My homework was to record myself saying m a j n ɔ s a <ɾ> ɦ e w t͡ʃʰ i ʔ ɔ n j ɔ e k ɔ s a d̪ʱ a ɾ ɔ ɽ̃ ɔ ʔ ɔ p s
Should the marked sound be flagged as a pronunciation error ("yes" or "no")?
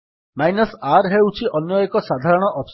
no